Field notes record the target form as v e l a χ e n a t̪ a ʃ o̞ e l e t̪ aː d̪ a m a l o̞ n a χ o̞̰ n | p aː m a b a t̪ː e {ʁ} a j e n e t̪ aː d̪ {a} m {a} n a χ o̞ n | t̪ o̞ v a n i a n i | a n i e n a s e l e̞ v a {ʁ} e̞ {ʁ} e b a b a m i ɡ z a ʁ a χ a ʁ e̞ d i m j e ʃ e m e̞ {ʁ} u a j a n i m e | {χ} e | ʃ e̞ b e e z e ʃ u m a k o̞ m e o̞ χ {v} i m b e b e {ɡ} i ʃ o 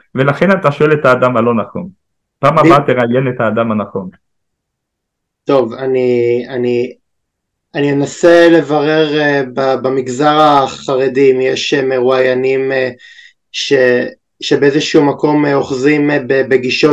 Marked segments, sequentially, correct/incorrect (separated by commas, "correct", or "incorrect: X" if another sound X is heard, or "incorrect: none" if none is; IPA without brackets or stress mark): correct, correct, correct, correct, correct, correct, incorrect: ʃ, incorrect: z, correct